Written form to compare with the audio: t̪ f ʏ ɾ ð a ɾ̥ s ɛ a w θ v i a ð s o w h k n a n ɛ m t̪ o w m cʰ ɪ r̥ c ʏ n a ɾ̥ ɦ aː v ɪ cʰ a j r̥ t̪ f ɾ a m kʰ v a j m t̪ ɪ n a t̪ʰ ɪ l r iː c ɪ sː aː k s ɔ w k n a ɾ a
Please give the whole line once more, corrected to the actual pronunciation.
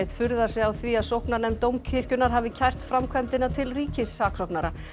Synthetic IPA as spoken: t̪ f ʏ ɾ ð a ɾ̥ s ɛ a w θ v i a ð s o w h k n a n ɛ m t̪ o w m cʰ ɪ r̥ c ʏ n a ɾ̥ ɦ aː v ɪ cʰ a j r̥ t̪ f ɾ a m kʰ v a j m t̪ ɪ n a t̪ʰ ɪ l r iː c ɪ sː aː k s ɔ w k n a ɾ a